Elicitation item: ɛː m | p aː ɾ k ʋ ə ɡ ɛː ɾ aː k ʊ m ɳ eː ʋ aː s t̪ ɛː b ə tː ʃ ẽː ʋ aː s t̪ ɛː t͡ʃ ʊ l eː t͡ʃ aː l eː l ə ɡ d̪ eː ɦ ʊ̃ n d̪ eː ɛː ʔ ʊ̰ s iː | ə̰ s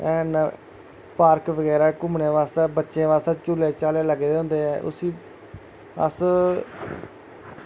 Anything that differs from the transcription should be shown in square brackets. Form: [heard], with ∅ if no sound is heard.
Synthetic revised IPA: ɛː [n] | p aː ɾ k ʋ ə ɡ ɛː ɾ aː k ʊ m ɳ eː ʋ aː s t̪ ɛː b ə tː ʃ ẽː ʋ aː s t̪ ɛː t͡ʃ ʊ l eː t͡ʃ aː l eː l ə ɡ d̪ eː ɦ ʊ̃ n d̪ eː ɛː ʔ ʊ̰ s iː | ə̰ s